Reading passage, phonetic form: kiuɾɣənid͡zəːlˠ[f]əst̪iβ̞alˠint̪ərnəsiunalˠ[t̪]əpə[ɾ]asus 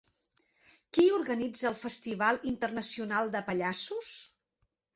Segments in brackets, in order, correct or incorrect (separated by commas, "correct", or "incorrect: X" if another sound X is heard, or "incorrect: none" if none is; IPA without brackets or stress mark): correct, incorrect: d̪, incorrect: ʎ